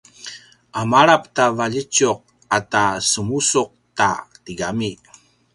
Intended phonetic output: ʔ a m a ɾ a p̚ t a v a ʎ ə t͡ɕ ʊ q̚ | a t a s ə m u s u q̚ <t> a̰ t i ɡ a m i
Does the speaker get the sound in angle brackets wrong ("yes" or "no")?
no